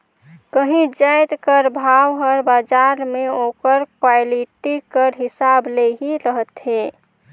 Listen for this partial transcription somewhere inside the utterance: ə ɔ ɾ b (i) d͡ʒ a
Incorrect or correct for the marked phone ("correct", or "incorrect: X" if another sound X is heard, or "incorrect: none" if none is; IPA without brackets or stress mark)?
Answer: incorrect: a